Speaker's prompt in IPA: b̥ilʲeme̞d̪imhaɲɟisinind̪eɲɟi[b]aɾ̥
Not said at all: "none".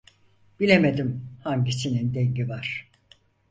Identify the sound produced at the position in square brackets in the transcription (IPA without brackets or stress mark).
v